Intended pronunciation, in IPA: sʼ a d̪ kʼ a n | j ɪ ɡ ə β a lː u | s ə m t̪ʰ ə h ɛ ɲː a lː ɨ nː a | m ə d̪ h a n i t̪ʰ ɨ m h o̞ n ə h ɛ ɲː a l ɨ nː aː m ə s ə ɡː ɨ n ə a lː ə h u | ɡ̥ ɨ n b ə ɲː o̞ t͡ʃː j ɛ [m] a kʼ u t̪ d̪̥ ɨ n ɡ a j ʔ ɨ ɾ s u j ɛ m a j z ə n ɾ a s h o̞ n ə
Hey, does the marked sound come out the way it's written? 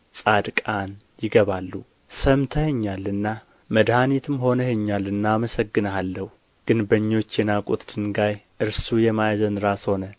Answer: no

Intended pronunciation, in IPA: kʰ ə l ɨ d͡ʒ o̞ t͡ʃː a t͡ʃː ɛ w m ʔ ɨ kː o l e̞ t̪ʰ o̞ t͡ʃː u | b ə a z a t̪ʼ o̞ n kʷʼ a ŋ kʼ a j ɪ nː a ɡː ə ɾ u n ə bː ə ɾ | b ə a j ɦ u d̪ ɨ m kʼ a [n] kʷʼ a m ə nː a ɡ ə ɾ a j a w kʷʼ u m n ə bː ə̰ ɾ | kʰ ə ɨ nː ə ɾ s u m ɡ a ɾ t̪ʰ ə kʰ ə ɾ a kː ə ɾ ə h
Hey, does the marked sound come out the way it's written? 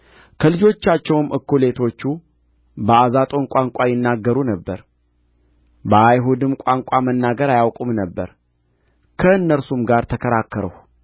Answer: no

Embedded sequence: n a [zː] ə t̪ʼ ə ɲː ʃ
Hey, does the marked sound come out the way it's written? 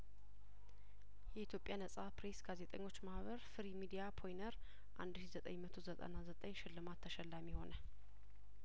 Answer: no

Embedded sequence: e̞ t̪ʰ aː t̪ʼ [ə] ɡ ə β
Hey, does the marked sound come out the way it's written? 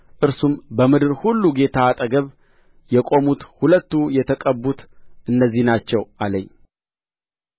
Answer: yes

